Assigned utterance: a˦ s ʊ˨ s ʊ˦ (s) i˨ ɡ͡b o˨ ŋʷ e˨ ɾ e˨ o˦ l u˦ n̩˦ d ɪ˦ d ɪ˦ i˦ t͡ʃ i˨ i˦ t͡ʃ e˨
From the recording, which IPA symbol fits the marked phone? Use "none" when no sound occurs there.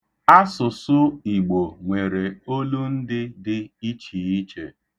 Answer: none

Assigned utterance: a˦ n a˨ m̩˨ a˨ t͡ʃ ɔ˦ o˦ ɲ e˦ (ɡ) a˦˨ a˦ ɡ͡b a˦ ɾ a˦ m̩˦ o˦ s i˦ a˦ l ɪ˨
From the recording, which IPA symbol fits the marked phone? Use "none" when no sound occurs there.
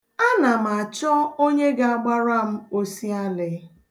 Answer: ɡ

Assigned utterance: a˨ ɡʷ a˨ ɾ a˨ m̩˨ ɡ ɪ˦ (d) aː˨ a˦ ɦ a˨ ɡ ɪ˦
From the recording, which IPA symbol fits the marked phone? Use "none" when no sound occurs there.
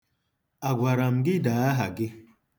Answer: d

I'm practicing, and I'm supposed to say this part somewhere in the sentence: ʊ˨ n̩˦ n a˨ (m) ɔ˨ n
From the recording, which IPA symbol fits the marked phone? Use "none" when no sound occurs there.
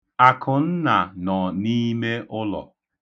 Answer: n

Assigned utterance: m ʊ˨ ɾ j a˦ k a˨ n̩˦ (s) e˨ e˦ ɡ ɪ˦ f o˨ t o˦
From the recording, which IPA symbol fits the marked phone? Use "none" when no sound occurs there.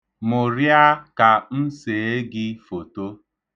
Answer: s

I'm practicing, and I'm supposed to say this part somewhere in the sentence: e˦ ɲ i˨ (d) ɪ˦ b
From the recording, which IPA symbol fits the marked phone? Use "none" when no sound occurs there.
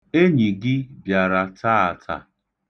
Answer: ɡ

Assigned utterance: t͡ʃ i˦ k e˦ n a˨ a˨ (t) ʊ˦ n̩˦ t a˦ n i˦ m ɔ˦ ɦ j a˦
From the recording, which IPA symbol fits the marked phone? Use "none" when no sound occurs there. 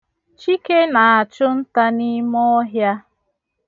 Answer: t͡ʃ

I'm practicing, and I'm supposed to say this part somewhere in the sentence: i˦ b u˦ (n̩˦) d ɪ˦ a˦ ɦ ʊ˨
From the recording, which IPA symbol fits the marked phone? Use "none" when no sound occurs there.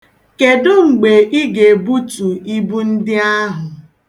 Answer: n̩˦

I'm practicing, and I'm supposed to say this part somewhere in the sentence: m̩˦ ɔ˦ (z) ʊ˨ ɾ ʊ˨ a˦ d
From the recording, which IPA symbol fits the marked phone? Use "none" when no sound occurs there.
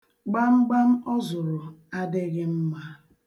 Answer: z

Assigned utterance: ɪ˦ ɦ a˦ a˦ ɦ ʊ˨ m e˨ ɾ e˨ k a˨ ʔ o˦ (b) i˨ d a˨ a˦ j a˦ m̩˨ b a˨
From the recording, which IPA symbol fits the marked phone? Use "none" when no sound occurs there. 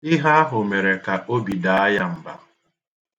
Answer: b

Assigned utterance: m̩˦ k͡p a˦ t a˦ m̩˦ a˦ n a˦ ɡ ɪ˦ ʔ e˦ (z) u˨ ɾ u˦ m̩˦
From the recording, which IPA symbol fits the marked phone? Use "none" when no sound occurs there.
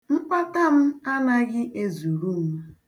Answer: z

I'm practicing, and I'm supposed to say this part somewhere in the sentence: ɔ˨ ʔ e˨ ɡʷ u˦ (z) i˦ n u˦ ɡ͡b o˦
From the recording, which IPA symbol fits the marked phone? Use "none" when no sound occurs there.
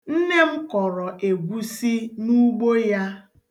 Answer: s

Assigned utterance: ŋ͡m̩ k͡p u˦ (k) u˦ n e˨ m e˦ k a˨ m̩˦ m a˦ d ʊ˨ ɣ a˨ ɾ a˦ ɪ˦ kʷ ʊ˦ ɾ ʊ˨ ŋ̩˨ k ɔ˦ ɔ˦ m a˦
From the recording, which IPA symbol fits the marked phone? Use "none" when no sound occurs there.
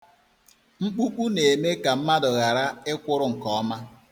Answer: k͡p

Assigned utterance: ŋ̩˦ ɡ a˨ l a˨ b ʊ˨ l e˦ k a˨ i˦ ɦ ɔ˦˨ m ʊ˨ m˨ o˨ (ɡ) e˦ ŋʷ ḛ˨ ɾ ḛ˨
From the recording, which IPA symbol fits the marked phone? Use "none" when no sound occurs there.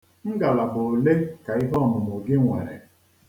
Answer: ɡ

